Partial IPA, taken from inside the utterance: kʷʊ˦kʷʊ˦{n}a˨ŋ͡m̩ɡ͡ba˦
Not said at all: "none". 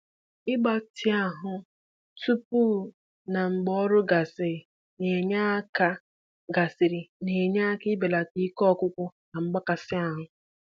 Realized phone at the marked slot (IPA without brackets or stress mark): n